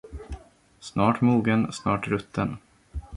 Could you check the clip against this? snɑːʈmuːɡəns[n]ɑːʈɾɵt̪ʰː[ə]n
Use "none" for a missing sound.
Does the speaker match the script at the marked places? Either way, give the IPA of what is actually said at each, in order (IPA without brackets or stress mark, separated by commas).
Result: n, ə